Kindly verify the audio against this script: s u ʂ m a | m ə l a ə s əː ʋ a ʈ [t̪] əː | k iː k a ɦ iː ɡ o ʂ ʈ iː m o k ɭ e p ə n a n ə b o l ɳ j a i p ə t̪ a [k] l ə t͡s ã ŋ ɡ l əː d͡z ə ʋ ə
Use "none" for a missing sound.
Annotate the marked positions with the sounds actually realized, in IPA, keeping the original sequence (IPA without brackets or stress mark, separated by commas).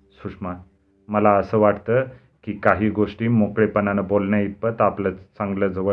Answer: t̪, p